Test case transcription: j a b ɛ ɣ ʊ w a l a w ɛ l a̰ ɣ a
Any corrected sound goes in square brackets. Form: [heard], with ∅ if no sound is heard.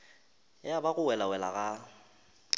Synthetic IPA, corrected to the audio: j a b [a] ɣ ʊ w [ɛ] l a w ɛ l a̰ ɣ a